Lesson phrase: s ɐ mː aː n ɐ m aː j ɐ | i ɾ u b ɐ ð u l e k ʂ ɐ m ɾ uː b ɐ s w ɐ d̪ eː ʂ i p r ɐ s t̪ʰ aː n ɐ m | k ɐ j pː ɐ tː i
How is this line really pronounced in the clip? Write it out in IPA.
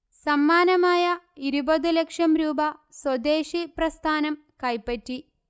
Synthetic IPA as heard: s ɐ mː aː n ɐ m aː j ɐ | i ɾ u b ɐ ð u l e k ʂ ɐ m ɾ uː b ɐ s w ɐ d̪ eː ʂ i p r ɐ s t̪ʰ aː n ɐ m | k ɐ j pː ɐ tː i